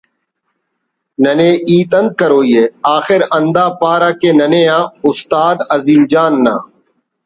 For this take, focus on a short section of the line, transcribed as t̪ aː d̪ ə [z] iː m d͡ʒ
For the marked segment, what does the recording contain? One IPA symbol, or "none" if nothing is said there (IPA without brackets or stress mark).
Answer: z